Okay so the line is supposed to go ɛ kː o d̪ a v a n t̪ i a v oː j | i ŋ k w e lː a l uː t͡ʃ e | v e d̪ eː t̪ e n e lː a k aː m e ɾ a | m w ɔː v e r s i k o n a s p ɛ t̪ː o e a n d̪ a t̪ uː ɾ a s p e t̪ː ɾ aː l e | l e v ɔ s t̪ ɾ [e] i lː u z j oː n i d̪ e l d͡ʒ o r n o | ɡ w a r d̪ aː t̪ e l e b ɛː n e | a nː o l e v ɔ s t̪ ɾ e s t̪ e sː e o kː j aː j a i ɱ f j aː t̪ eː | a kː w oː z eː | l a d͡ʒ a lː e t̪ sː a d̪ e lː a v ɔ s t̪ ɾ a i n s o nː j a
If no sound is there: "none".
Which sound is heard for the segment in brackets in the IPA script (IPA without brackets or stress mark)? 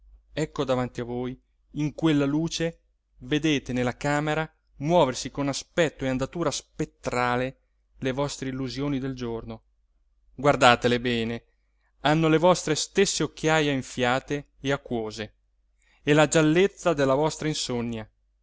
e